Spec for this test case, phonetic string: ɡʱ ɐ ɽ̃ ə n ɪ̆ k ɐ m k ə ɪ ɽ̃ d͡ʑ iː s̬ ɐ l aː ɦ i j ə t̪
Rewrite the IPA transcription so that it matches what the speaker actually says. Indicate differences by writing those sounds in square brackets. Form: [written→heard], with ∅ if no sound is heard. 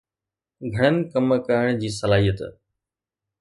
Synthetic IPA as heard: ɡʱ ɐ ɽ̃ ə n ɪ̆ k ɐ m k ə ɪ ɽ̃ d͡ʑ iː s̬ ɐ l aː ɦ i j ə t̪